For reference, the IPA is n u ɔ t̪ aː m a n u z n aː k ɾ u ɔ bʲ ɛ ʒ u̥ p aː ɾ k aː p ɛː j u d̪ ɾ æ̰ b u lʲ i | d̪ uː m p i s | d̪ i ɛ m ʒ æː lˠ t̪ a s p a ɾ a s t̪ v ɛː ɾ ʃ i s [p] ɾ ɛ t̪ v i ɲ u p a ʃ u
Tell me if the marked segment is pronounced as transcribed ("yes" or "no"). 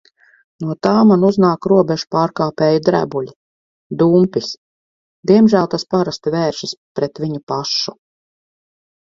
yes